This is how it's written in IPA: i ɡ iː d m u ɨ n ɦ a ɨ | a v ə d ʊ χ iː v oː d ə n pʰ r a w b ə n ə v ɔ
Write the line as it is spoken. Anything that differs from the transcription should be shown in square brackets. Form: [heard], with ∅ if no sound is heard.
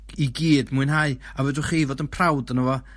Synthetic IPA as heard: i ɡ iː d m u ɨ n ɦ a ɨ | a v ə d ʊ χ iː v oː d ə n pʰ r a w [d] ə n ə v ɔ

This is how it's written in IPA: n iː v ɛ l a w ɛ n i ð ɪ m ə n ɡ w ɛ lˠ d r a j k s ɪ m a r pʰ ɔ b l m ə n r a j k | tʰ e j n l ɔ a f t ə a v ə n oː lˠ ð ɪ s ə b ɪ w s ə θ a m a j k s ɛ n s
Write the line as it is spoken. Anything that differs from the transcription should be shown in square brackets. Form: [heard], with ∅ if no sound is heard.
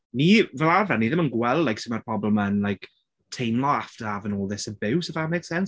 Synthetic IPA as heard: n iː v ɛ l a [v] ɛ n i ð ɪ m ə n ɡ w ɛ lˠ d [l] a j k s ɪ m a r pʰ ɔ b l m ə n [l] a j k | tʰ e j n l ɔ a f t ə a v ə n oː lˠ ð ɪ s ə b ɪ w s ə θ a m [e] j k s ɛ n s

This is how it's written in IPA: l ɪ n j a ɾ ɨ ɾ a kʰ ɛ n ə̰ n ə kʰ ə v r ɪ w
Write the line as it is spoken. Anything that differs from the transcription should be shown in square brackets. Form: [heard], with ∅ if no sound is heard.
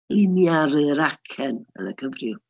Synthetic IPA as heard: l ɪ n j a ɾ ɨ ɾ a kʰ ɛ n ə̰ n ə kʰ ə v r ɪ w

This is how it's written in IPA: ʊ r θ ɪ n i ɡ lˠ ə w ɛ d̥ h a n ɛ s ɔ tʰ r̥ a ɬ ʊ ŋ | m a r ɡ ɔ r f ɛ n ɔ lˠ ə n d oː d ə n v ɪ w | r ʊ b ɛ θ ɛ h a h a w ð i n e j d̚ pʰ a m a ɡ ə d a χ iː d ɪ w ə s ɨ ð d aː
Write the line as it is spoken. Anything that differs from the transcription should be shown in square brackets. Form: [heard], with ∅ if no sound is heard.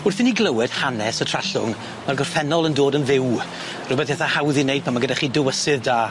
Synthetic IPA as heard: ʊ r θ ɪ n i ɡ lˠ ə w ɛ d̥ h a n ɛ s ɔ tʰ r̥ a ɬ ʊ ŋ | m a r ɡ ɔ r f ɛ n ɔ lˠ ə n d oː d ə n v ɪ w | r ʊ b ɛ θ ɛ [θ] a h a w ð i n e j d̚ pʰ a m a ɡ ə d a χ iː d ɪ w ə s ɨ ð d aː

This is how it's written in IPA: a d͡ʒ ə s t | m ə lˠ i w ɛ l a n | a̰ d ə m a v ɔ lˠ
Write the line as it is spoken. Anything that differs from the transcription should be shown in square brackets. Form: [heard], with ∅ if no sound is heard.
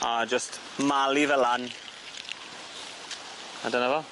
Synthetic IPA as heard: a d͡ʒ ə s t | m [a] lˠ i [v] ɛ l a n | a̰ d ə [n] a v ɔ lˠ

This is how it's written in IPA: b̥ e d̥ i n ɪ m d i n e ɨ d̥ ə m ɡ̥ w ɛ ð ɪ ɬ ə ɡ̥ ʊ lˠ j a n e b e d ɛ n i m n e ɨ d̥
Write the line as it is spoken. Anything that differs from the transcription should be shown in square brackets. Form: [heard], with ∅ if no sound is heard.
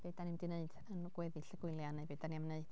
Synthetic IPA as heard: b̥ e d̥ [a] n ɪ m d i n e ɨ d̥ ə [n] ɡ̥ w ɛ ð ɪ ɬ ə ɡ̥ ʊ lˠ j a n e b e d [a] n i m n e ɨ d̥

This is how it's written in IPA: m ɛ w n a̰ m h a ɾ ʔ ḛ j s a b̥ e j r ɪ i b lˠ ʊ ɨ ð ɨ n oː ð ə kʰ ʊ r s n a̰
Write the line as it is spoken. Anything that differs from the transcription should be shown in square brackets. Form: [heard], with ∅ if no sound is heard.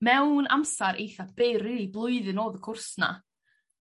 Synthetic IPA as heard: m ɛ w n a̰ m [s] a ɾ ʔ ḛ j [θ] a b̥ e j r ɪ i b lˠ ʊ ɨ ð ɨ n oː ð ə kʰ ʊ r s n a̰

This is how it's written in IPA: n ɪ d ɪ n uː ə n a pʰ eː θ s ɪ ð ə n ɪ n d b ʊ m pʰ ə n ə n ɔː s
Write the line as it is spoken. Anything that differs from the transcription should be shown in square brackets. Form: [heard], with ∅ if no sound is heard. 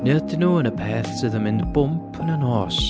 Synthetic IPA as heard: n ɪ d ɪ n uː ə n [ə] pʰ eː θ s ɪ ð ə [m] ɪ n d b ʊ m pʰ ə n ə n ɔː s

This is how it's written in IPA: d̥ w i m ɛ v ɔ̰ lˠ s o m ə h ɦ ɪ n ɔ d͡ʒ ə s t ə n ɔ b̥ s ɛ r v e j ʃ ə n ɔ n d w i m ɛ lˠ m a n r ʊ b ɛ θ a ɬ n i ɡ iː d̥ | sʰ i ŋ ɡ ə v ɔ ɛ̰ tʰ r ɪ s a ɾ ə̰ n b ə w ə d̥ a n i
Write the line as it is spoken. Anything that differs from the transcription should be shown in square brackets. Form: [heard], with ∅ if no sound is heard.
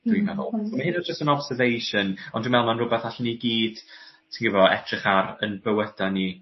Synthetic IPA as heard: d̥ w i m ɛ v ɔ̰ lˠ s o m [a] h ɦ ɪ n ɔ d͡ʒ ə s t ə n ɔ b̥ s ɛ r v e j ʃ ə n ɔ n d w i m ɛ lˠ m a n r ʊ b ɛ θ a ɬ n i ɡ iː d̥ | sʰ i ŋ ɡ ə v ɔ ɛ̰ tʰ r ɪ [χ] a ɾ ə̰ n b ə w ə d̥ a n i

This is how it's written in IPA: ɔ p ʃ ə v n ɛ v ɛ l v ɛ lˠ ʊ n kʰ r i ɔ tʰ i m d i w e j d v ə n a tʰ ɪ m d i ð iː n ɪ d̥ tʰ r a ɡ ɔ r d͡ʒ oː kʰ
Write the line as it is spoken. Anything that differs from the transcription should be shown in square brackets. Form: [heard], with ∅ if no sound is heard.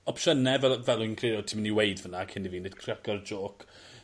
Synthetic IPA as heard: ɔ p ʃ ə [∅] n ɛ v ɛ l v ɛ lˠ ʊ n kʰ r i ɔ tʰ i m [n] i w e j d v ə n a [kʰ] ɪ [n] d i [v] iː n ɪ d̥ [kʰ] r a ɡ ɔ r d͡ʒ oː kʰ

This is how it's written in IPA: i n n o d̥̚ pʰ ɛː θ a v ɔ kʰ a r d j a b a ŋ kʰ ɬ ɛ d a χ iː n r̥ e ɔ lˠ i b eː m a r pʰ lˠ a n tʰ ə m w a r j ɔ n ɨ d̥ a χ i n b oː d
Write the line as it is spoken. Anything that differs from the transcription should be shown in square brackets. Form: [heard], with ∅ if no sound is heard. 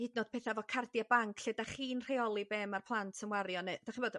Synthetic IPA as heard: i [d] n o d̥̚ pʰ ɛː θ a v ɔ kʰ a r d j a b a ŋ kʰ ɬ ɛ d a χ iː n r̥ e ɔ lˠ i b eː m a r pʰ lˠ a n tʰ ə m w a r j ɔ n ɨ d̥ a χ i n b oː d

